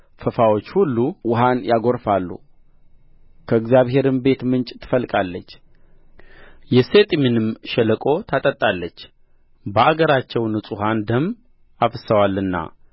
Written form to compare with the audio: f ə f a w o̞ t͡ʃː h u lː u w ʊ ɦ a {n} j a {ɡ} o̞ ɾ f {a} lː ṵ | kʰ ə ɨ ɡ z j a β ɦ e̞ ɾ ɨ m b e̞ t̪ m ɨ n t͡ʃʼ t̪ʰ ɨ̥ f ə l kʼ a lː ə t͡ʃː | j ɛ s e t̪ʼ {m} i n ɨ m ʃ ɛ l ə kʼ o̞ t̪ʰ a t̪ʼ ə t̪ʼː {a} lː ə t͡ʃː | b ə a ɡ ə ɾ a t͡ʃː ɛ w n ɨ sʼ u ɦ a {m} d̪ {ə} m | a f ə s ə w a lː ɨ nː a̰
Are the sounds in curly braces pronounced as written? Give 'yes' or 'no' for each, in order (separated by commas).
yes, yes, yes, yes, yes, no, yes